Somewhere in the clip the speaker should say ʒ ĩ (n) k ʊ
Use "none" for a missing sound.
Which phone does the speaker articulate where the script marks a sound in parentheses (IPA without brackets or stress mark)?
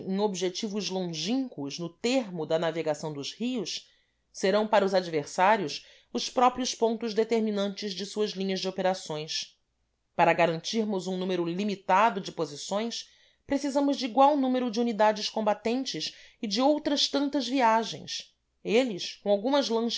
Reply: ŋ